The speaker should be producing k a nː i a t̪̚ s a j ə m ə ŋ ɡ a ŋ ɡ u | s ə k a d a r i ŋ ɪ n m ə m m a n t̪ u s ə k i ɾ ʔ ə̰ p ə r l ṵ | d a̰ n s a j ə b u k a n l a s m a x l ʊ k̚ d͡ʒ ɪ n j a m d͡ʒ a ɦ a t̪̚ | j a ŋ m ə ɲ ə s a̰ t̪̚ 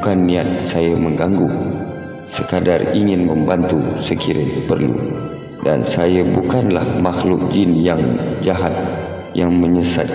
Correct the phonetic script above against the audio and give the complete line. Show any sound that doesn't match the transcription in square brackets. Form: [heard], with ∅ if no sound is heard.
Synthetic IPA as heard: k a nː i a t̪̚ s a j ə m ə ŋ ɡ a ŋ ɡ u | s ə k a d a r i ŋ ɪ n m ə m [b] a n t̪ u s ə k i ɾ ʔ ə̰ p ə r l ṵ | d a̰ n s a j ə b u k a n l a [h] m a x l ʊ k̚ d͡ʒ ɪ n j a [ŋ] d͡ʒ a ɦ a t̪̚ | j a ŋ m ə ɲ ə s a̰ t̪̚